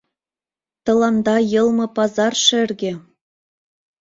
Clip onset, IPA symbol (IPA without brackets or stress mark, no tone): t̪